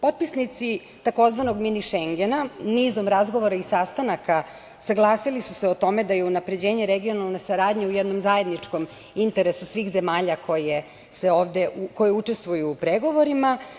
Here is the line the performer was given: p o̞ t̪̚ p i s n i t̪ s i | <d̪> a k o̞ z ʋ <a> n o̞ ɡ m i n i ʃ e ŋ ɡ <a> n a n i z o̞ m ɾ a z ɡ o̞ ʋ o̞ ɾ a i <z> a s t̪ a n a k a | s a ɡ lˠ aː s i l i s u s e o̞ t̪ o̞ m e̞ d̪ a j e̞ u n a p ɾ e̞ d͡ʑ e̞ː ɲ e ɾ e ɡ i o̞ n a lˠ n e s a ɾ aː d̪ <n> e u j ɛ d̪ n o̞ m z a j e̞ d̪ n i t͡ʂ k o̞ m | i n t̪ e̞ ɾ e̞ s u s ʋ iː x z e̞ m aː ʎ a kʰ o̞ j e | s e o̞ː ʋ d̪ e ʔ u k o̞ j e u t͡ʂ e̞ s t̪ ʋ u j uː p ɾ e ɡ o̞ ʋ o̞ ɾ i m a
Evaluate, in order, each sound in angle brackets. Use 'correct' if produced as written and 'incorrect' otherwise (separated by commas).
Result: incorrect, correct, incorrect, incorrect, incorrect